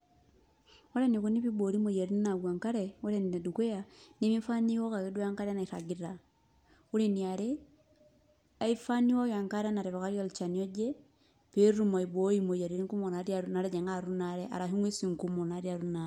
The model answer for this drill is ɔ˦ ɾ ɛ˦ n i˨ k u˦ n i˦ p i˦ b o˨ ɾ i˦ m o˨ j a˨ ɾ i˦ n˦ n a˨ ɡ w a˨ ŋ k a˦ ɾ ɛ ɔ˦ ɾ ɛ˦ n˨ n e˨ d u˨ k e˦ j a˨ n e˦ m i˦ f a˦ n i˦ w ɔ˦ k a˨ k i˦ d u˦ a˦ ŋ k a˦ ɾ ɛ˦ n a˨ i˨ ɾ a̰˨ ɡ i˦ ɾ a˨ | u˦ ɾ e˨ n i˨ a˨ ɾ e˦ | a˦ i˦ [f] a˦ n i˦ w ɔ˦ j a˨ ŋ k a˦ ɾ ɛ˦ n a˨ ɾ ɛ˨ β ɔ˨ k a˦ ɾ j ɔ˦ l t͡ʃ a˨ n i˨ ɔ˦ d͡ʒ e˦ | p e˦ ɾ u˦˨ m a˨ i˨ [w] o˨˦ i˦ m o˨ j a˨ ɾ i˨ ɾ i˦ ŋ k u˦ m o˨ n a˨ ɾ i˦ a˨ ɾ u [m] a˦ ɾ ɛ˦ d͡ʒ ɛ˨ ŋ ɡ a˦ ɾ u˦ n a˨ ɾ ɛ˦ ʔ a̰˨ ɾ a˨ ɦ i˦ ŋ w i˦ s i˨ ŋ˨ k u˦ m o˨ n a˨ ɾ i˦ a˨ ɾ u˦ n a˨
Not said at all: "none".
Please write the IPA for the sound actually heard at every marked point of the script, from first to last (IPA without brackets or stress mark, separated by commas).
f, b, n